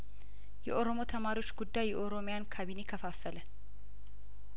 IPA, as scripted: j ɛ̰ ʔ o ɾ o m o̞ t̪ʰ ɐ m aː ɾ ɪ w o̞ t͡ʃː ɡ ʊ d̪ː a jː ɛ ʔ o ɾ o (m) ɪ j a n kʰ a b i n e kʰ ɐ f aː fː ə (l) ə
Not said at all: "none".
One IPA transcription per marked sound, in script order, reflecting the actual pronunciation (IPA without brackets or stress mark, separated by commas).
m, l